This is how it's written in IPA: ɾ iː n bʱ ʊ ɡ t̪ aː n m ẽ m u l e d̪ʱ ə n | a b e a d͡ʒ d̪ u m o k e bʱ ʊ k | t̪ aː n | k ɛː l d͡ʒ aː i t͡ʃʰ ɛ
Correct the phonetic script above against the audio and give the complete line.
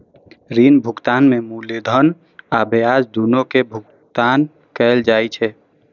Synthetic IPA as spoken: ɾ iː n bʱ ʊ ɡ t̪ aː n m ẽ m u l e d̪ʱ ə n | a b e a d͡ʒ d̪ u n o k e bʱ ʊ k | t̪ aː n | k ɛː l d͡ʒ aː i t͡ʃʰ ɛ